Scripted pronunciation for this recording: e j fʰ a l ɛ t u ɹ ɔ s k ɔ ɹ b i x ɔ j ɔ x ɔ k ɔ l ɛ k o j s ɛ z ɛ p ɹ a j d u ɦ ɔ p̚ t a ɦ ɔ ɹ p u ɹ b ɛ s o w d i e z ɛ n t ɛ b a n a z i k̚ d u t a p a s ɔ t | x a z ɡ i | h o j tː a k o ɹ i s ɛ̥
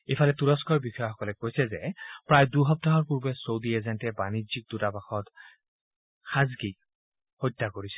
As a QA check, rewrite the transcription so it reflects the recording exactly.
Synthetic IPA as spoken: e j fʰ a l ɛ t u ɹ ɔ s k ɔ ɹ b i x ɔ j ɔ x ɔ k ɔ l ɛ k o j s ɛ z ɛ p ɹ a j d u ɦ ɔ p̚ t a ɦ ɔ ɹ p u ɹ b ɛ s o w d i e z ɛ n t ɛ b a n i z i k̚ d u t a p a x ɔ t | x a z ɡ i | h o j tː a k o ɹ i s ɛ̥